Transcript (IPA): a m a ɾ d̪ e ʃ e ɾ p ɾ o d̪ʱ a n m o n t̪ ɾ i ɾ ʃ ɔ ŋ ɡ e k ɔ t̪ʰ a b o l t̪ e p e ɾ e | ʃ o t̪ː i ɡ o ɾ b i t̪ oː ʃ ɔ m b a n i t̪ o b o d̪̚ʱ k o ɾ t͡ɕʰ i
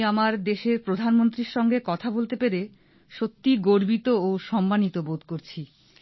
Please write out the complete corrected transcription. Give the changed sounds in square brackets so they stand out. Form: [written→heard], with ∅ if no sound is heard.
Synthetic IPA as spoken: a m a ɾ d̪ e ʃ e ɾ p ɾ o d̪ʱ a n m o n t̪ ɾ i ɾ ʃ ɔ ŋ ɡ e k ɔ t̪ʰ a b o l t̪ e p e ɾ e | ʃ o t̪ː i ɡ o ɾ b i t̪ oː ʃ ɔ m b a n i t̪ o b o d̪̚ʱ k o ɾ t͡ɕʰ i